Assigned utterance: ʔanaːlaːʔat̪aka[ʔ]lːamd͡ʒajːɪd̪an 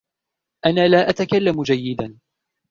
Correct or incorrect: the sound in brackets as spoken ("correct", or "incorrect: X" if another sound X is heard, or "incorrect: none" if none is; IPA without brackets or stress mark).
incorrect: none